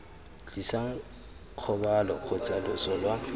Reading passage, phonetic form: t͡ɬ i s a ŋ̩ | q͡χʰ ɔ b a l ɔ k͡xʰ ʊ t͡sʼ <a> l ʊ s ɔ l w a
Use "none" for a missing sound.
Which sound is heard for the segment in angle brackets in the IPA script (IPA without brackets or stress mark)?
a